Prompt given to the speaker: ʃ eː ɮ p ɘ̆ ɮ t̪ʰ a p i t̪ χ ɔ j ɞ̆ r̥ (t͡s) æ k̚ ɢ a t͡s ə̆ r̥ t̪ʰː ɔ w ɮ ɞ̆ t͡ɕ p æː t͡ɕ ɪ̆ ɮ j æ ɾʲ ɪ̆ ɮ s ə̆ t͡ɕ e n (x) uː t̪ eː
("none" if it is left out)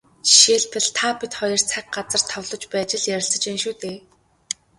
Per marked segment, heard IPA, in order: t͡sʰ, ʃ

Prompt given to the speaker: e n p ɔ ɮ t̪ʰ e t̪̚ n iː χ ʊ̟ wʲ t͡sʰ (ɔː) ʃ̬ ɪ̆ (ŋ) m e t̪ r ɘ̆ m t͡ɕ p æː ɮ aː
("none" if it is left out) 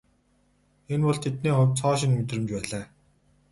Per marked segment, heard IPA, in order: ɔː, n

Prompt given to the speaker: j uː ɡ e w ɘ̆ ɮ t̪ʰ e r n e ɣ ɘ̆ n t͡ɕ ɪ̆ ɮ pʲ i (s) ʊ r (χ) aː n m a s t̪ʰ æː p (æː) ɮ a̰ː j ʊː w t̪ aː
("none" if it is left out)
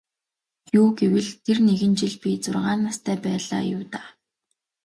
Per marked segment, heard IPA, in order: t͡s, ʁ, æː

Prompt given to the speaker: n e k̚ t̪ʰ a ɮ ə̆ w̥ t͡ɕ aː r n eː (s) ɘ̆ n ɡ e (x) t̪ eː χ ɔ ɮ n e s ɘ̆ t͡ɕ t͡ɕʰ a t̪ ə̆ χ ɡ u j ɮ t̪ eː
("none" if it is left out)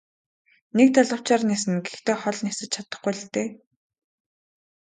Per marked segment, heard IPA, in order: s, x

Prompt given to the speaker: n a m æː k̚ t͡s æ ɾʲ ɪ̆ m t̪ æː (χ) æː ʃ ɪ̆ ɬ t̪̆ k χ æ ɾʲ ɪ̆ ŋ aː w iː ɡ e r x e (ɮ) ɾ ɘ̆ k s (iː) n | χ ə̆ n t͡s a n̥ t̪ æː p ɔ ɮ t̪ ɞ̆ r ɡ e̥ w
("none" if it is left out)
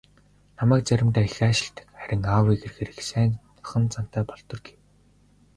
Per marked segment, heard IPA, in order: x, none, æː

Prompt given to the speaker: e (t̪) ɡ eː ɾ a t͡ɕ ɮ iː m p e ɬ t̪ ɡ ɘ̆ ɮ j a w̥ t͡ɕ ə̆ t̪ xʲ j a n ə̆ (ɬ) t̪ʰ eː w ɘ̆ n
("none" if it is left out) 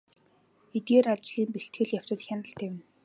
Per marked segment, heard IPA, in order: t̪, ɬ

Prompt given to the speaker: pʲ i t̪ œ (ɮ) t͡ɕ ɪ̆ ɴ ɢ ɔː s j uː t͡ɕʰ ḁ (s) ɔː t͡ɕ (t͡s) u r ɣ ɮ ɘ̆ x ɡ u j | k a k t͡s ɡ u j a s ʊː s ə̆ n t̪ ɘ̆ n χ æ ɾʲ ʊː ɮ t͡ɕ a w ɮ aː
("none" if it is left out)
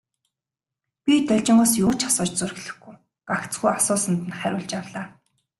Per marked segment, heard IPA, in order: ɮ, s, t͡s

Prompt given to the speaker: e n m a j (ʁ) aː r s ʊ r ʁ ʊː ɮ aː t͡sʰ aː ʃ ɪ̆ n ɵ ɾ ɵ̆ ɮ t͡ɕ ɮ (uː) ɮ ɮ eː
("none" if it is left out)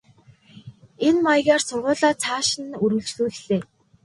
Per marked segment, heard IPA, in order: ɣ, uː

